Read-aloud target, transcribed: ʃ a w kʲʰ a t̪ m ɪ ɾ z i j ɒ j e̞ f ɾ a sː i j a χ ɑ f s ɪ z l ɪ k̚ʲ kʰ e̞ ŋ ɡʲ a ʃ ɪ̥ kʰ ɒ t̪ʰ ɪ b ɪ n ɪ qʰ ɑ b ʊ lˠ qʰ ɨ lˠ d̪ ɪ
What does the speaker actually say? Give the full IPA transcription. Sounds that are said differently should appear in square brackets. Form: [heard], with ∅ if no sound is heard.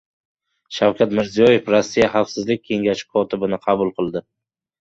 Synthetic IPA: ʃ a w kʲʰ a t̪ m ɪ ɾ z i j ɒ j e̞ f ɾ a sː i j a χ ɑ f s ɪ z l ɪ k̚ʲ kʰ e̞ ŋ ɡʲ a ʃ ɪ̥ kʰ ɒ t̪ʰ ɪ b ɪ n ɪ qʰ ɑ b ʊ lˠ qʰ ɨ lˠ d̪ ɪ